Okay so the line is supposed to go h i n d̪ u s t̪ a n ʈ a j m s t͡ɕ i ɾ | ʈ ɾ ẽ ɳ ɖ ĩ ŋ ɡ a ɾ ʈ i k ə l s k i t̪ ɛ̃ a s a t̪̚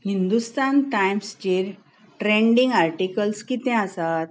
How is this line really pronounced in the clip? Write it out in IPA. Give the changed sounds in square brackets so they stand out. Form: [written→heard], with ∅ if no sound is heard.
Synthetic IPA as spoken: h i n d̪ u s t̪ a n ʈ a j m s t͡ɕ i ɾ | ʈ ɾ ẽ ɳ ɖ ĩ ŋ ɡ a ɾ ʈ i k ə l s k i t̪ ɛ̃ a s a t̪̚

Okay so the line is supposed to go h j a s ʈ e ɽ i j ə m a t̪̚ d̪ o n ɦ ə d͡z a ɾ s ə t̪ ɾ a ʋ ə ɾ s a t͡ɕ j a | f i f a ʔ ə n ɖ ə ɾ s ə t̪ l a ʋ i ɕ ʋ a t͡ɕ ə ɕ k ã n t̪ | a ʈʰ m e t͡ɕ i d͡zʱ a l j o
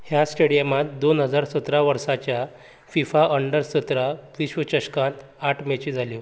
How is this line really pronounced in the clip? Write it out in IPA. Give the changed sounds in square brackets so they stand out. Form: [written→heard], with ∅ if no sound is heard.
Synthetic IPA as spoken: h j a s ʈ e ɽ i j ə m a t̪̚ d̪ o n ɦ ə d͡z a ɾ s ə t̪ ɾ a ʋ ə ɾ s a t͡ɕ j a | f i f a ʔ ə [n→ɳ] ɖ ə ɾ s ə t̪ [l→ɾ] a ʋ i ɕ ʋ [a→ə] t͡ɕ ə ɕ k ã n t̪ | a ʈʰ m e t͡ɕ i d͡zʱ a l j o

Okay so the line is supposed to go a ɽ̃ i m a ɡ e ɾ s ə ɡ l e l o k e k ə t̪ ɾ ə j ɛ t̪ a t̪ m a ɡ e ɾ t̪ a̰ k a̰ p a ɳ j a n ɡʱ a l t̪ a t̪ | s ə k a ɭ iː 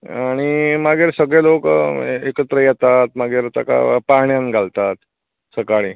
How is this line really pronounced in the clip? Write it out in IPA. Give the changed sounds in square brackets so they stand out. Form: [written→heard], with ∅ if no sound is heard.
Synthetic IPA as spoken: a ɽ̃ i m a ɡ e ɾ s ə ɡ [l→ɭ] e l o k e k ə t̪ ɾ ə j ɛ t̪ a t̪ m a ɡ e ɾ t̪ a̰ k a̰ p a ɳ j a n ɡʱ a l t̪ a t̪ | s ə k a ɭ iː

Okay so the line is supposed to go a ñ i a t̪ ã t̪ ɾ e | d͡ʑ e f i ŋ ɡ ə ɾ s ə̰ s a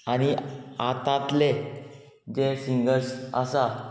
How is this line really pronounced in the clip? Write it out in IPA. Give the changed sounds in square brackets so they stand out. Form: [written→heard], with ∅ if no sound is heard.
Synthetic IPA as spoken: a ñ i a t̪ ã t̪ [ɾ→l] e | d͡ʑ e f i ŋ ɡ ə ɾ s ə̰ s a

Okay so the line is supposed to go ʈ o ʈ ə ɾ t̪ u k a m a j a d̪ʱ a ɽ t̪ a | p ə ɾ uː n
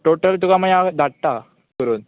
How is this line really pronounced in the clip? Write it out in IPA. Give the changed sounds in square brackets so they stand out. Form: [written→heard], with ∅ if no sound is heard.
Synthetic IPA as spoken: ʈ o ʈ ə [ɾ→l] t̪ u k a m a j a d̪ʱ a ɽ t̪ a | [p→k] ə ɾ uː n

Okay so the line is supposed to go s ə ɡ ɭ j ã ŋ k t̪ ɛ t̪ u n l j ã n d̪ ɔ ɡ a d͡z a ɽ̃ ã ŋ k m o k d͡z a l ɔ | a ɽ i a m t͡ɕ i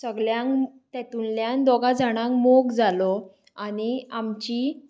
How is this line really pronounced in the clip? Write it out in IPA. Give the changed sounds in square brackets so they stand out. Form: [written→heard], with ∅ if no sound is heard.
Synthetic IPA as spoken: s ə ɡ ɭ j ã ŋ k t̪ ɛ t̪ u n l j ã n d̪ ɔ ɡ a d͡z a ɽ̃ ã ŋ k m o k d͡z a l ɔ | a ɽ i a m t͡ɕ i

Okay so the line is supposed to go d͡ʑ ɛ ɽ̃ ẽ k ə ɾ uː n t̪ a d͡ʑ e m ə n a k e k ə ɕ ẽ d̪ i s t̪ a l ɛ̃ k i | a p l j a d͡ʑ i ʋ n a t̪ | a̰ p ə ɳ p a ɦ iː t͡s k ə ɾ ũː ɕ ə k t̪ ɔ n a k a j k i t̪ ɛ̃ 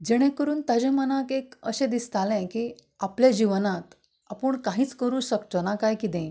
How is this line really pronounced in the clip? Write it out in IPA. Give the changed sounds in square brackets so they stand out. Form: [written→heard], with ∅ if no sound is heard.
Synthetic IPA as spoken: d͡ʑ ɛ ɽ̃ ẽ k ə ɾ uː n t̪ a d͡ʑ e m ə n a k e k ə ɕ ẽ d̪ i s t̪ a l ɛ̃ k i | a p l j a d͡ʑ i ʋ n a t̪ | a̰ p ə ɳ [p→k] a ɦ iː t͡s k ə ɾ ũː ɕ ə k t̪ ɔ n a k a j k i t̪ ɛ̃

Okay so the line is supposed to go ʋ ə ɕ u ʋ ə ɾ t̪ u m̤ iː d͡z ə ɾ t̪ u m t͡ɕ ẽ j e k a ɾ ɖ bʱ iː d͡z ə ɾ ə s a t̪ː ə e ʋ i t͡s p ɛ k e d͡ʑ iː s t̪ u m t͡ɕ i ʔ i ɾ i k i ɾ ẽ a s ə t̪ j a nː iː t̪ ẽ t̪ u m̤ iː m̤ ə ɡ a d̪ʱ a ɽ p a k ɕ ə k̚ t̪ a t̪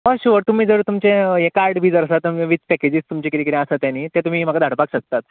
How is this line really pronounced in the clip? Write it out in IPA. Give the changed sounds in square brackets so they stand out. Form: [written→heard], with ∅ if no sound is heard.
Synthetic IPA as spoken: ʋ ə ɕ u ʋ ə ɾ t̪ u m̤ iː d͡z ə ɾ t̪ u m t͡ɕ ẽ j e k a ɾ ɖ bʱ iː d͡z ə ɾ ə s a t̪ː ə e ʋ i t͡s p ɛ k e d͡ʑ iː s t̪ u m t͡ɕ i [ʔ→k] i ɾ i k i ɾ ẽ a s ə t̪ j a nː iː t̪ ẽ t̪ u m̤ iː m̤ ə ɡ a d̪ʱ a ɽ p a k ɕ ə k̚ t̪ a t̪

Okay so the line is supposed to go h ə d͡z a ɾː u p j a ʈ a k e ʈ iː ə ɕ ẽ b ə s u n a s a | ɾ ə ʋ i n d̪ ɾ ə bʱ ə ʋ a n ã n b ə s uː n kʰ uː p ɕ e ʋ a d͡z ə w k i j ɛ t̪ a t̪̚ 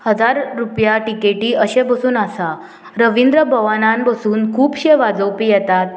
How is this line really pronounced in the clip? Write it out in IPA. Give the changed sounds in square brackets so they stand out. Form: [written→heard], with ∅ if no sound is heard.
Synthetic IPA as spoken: h ə d͡z a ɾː u p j a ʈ [a→i] k e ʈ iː ə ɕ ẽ b ə s [u→uː] n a s a | ɾ ə ʋ i n d̪ ɾ ə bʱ ə ʋ a n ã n b ə s uː n kʰ uː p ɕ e ʋ a d͡z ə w [k→p] i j ɛ t̪ a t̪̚

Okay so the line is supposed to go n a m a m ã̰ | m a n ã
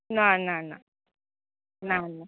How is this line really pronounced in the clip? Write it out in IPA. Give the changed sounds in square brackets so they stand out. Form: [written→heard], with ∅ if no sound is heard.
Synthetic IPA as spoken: n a [m→n] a [m→n] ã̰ | [m→n] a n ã

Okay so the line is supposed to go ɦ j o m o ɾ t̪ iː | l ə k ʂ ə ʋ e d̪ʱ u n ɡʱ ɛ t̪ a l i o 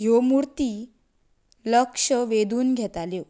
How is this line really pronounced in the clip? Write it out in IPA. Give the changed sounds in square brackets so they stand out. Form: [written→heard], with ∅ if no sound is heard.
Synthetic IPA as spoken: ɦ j o m [o→u] ɾ t̪ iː | l ə k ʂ ə ʋ e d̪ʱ [u→uː] n ɡʱ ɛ t̪ a l [i→j] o

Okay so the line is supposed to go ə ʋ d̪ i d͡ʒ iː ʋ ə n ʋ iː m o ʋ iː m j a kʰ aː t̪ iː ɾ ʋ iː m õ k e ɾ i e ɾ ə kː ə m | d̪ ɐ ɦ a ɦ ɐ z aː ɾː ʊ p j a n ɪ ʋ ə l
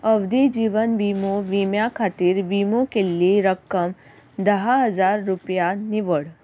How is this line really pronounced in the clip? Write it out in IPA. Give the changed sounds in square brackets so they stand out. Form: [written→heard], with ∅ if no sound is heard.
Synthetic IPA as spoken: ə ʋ d̪ i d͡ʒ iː ʋ ə n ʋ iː m o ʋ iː m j a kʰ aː t̪ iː ɾ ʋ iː m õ k e [ɾ→l] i e ɾ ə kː ə m | d̪ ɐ ɦ a ɦ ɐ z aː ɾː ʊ p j a n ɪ ʋ ə [l→ɽ]

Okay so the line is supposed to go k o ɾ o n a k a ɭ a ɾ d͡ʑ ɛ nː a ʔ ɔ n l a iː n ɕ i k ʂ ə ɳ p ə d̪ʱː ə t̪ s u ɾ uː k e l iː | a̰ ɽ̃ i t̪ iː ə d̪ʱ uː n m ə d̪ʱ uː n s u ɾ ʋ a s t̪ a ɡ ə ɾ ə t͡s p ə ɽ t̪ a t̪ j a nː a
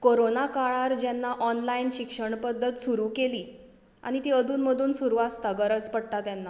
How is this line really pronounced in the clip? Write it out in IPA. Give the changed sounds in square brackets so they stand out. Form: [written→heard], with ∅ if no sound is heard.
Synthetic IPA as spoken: k o ɾ o n a k a ɭ a ɾ d͡ʑ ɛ nː a ʔ ɔ n l a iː n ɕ i k ʂ ə ɳ p ə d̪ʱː ə t̪ s u ɾ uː k e l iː | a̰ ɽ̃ i t̪ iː ə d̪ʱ uː n m ə d̪ʱ uː n s u ɾ ʋ a s t̪ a ɡ ə ɾ ə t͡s p ə ɽ t̪ a t̪ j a nː a

